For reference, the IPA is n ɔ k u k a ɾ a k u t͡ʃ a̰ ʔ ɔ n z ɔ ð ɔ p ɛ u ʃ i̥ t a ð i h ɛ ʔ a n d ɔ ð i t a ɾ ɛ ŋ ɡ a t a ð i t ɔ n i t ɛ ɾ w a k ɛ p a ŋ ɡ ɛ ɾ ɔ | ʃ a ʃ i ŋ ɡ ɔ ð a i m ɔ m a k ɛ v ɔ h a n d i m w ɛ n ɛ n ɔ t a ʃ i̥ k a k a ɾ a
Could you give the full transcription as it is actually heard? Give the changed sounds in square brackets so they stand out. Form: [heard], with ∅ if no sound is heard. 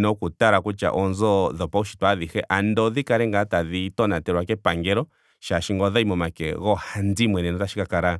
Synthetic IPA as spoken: n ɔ k u [t] a ɾ a k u t͡ʃ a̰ ʔ ɔ n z ɔ ð ɔ p [a] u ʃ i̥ t a ð i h ɛ ʔ a n d ɔ ð i [k] a ɾ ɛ ŋ ɡ a t a ð i t ɔ n [a] t ɛ ɾ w a k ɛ p a ŋ ɡ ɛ ɾ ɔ | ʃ a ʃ i ŋ ɡ ɔ ð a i m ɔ m a k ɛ [ɣ] ɔ h a n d i m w ɛ n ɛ n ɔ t a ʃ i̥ k a k a ɾ a